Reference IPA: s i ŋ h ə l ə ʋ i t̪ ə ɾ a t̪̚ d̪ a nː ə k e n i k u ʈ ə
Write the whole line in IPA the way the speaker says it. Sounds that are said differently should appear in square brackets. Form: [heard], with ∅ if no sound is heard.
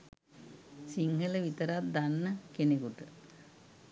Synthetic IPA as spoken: s i ŋ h ə l ə ʋ i t̪ ə ɾ a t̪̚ d̪ a nː ə k e n [e] k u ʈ ə